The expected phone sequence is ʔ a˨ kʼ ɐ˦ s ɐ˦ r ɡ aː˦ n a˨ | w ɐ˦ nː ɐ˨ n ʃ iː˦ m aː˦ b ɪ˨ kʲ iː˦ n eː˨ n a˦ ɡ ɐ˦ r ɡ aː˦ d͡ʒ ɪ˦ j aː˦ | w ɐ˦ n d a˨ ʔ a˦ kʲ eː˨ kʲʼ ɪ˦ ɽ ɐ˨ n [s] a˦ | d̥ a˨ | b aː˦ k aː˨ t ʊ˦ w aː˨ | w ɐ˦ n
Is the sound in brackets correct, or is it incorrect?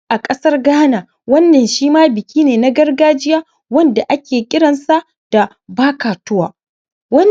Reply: correct